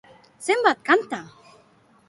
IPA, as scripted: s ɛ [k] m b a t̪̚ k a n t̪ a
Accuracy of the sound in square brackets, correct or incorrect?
incorrect